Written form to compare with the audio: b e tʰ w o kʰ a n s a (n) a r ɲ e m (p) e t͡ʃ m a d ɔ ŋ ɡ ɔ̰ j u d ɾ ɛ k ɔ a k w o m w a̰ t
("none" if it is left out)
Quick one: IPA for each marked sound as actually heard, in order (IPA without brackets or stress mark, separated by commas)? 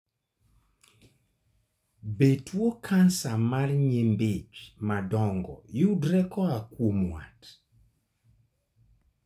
m, b